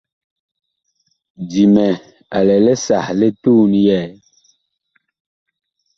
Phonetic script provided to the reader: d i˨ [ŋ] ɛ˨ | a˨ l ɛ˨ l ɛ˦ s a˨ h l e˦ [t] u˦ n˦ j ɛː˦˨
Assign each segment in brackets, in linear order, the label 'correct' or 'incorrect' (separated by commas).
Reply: incorrect, correct